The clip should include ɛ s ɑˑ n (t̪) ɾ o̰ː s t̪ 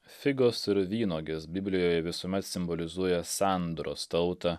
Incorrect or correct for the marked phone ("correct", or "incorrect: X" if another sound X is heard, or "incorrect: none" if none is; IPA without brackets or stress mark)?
incorrect: d̪